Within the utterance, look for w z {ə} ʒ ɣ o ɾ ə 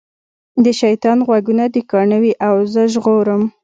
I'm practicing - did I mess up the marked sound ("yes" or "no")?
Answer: no